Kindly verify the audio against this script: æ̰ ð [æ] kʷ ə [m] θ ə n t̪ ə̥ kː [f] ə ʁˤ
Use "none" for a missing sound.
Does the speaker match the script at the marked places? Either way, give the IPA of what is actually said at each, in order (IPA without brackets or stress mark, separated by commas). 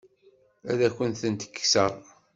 æ, n, s